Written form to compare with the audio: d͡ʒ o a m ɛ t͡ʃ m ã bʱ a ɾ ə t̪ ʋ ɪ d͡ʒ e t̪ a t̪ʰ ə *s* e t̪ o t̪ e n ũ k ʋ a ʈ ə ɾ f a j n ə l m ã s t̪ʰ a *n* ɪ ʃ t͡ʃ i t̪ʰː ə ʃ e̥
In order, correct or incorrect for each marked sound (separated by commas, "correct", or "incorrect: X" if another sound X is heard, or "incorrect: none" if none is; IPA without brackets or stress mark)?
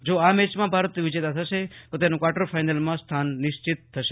incorrect: ʃ, incorrect: nː